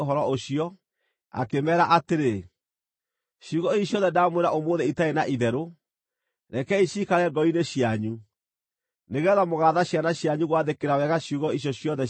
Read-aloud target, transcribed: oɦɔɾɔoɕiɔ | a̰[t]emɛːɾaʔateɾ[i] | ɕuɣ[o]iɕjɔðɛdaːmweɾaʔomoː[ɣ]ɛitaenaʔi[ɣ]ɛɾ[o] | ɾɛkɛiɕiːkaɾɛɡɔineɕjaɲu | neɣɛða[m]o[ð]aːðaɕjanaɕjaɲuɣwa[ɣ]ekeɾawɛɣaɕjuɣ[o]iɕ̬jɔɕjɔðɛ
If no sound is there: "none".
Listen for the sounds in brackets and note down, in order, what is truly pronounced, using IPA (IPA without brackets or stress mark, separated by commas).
k, e, ɔ, ð, ð, o, m, ɣ, ð, ɔ